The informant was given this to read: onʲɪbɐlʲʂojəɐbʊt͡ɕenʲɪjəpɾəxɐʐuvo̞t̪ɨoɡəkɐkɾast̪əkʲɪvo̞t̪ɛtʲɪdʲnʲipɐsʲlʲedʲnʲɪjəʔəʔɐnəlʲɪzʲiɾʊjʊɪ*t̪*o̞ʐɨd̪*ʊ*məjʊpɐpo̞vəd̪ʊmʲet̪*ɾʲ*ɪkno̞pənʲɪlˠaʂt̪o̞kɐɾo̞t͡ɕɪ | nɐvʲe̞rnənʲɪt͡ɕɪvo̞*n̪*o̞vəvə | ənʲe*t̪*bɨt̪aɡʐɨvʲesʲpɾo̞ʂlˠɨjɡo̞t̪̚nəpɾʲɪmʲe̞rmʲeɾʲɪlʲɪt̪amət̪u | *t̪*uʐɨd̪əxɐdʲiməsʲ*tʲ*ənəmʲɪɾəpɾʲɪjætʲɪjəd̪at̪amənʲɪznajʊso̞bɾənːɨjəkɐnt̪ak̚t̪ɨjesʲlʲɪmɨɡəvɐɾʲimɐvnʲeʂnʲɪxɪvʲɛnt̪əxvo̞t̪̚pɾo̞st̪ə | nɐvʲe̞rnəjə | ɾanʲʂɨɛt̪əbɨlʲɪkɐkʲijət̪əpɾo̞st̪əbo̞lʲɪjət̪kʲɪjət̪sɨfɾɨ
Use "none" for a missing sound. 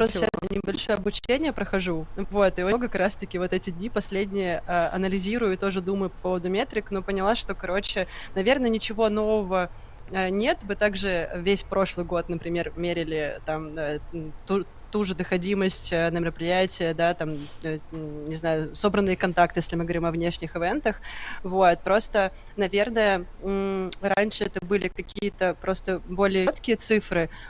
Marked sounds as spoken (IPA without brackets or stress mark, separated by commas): t̪, u, ɾʲ, n̪, t̪, t̪, tʲ